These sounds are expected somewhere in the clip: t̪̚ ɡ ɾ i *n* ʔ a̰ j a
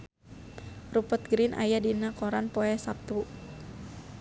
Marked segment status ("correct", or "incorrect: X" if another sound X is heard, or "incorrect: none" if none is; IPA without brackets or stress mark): correct